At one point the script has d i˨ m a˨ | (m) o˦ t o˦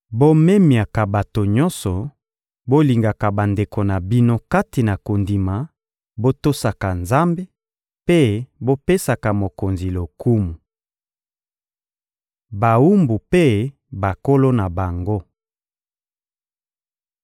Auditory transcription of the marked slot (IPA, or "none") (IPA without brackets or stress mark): b